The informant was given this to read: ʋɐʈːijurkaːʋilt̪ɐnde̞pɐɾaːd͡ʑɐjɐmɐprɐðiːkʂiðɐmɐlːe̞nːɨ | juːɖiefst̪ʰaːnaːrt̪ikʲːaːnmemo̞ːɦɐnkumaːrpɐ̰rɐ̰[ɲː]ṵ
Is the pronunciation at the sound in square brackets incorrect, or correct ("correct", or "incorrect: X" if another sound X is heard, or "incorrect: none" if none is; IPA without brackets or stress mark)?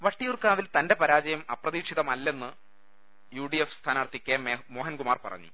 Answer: correct